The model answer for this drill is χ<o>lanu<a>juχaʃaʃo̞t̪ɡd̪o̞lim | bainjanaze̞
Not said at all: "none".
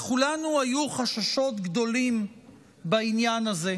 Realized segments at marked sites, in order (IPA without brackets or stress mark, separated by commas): u, a